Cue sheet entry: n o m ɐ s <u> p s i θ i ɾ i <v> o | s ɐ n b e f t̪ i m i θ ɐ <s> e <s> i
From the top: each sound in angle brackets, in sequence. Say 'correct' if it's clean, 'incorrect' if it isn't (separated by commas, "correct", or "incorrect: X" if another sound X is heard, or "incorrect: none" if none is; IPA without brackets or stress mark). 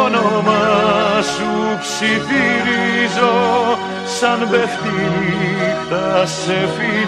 correct, incorrect: z, correct, incorrect: f